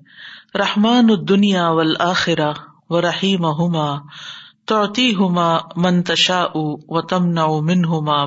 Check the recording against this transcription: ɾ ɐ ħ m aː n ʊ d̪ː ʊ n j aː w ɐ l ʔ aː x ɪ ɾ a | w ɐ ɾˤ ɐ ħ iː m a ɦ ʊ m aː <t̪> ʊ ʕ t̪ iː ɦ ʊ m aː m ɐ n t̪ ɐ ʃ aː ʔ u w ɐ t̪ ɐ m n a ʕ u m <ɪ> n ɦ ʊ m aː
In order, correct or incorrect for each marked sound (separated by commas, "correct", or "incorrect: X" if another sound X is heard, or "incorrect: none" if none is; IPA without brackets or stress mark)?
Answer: correct, correct